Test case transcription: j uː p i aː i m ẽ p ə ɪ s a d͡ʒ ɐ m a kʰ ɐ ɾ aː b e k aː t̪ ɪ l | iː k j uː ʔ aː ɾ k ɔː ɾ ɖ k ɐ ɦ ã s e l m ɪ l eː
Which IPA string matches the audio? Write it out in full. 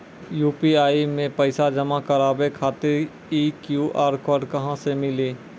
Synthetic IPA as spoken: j uː p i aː i m ẽ p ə ɪ s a d͡ʒ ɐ m a k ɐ ɾ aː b e kʰ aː t̪ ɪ ɾ | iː k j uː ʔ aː ɾ k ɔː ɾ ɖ k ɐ ɦ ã s e m ɪ l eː